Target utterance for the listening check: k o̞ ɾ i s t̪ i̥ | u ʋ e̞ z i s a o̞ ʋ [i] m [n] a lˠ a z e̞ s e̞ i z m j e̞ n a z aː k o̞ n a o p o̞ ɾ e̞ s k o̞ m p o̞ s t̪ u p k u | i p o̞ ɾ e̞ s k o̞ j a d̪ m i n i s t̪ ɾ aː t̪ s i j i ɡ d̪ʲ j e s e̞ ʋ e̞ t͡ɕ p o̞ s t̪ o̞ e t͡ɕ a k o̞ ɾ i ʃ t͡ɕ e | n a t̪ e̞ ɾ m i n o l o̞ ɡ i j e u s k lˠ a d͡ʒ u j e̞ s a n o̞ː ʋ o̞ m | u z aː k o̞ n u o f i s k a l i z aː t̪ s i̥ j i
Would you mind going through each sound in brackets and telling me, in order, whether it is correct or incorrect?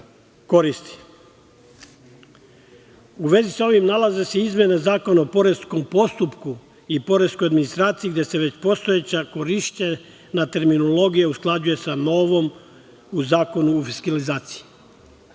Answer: correct, correct

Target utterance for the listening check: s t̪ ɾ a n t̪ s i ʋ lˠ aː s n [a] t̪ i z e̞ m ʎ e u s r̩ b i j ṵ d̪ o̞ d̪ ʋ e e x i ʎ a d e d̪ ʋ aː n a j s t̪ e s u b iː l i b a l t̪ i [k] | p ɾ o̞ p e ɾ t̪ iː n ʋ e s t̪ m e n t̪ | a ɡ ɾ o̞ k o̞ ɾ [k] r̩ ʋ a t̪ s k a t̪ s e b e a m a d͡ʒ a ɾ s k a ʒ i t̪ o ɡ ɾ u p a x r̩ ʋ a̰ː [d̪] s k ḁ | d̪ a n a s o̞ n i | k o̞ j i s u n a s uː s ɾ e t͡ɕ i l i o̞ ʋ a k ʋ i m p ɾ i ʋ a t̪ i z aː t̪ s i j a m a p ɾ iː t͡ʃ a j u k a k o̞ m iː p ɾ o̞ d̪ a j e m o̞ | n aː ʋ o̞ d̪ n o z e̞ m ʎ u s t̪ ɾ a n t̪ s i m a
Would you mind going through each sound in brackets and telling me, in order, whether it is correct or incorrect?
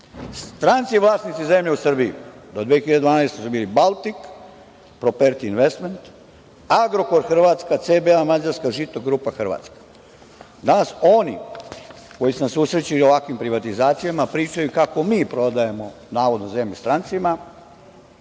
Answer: incorrect: i, correct, incorrect: x, incorrect: t̪

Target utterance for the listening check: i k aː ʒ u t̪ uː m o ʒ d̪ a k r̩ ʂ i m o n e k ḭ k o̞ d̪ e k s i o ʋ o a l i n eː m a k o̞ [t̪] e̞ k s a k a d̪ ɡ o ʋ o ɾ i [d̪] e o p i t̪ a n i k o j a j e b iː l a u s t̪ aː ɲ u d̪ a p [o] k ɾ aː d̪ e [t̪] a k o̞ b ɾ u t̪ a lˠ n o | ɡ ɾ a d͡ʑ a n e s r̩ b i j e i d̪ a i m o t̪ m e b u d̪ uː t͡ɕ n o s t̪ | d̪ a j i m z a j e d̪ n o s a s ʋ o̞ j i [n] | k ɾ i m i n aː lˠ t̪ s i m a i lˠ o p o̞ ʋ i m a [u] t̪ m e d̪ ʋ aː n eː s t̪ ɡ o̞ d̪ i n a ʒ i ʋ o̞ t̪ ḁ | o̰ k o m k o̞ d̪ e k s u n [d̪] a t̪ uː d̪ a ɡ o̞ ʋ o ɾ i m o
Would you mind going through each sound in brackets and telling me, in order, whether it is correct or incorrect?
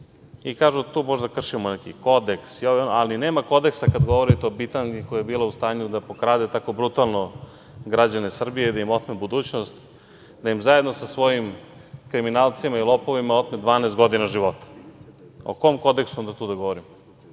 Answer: incorrect: d̪, incorrect: t̪, correct, correct, incorrect: m, incorrect: o, correct

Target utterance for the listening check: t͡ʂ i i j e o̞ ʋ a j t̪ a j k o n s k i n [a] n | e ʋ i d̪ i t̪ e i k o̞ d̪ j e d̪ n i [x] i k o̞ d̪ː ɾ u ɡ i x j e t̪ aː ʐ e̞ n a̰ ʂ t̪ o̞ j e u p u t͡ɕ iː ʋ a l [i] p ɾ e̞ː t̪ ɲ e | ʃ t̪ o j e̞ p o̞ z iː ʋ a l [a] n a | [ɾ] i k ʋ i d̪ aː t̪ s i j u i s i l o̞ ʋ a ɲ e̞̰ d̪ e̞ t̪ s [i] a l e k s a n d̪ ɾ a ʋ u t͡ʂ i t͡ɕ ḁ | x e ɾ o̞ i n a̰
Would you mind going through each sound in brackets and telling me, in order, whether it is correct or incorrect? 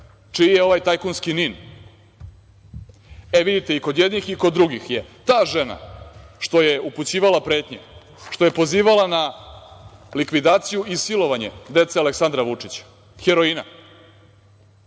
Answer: incorrect: i, correct, incorrect: a, correct, incorrect: l, incorrect: e

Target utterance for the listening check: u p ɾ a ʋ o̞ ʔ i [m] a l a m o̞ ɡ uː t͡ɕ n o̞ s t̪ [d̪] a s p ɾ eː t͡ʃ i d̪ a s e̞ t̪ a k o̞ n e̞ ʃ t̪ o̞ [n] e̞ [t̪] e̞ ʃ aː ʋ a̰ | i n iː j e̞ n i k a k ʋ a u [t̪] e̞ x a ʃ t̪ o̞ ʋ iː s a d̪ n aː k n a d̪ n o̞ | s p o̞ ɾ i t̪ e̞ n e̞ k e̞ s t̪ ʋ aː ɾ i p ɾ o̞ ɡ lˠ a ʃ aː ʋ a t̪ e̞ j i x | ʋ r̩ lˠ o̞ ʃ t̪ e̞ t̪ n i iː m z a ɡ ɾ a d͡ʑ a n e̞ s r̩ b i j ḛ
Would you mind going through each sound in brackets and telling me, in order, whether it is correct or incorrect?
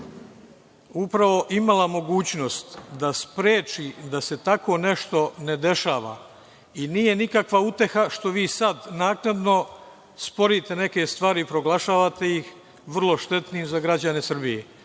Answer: correct, correct, correct, incorrect: d̪, correct

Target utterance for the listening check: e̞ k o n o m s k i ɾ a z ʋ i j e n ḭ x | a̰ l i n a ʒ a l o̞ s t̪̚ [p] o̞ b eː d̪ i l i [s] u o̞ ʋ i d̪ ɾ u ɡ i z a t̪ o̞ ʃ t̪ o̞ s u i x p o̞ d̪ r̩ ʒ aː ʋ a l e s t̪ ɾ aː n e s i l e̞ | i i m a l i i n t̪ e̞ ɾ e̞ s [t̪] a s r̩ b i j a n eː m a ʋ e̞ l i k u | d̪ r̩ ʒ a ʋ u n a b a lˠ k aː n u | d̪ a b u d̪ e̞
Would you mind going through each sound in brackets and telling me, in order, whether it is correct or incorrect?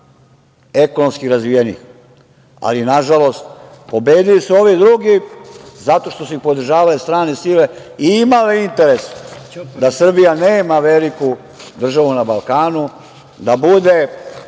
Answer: correct, correct, incorrect: d̪

